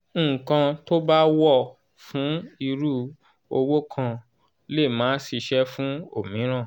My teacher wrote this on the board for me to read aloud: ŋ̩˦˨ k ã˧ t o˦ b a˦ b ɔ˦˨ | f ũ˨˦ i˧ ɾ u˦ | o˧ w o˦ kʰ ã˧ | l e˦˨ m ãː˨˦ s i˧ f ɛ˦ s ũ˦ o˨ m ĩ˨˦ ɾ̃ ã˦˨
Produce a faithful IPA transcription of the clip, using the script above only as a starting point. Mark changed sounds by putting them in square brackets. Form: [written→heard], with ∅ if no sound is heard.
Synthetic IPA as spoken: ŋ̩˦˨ k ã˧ t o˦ b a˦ [b→w] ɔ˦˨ | f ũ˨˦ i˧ ɾ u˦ | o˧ w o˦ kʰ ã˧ | l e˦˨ m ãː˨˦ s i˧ [f→ʃ] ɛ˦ [s→f] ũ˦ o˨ m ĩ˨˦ ɾ̃ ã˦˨